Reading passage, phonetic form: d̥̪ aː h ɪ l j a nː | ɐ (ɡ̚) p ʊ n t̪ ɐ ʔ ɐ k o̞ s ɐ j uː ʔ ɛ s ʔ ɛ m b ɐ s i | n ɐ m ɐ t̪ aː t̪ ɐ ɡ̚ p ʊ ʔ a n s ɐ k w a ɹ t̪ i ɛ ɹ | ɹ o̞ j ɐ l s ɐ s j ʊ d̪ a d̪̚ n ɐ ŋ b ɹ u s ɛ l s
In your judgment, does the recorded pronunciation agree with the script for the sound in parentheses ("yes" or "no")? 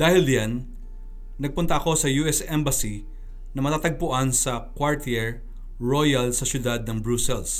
yes